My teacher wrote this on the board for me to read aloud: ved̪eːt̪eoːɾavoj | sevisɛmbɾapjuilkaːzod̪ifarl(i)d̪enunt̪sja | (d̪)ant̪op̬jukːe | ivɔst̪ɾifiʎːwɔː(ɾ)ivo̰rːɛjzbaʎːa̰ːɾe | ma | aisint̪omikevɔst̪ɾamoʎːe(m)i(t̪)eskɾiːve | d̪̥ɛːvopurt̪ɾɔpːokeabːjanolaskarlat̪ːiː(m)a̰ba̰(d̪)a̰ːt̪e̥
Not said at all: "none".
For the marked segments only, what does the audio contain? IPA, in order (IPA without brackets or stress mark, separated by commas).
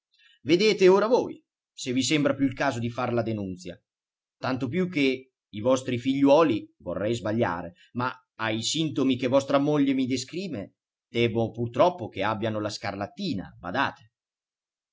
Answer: a, t̪, l, m, d̪, n, d̪